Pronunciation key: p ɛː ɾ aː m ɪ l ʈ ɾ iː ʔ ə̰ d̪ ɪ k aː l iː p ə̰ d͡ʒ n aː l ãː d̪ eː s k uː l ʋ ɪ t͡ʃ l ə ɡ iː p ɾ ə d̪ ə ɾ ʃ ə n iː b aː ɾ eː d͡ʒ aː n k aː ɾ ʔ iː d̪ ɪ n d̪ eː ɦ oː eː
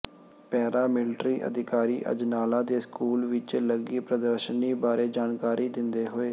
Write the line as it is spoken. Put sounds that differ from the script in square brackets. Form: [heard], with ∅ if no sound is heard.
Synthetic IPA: p ɛː ɾ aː m ɪ l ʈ ɾ iː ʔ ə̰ d̪ ɪ k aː [ɾ] iː [ʔ] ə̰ d͡ʒ n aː l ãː d̪ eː s k uː l ʋ ɪ t͡ʃ l ə ɡ iː p ɾ ə d̪ ə ɾ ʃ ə n iː b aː ɾ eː d͡ʒ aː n k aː ɾ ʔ iː d̪ ɪ n d̪ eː ɦ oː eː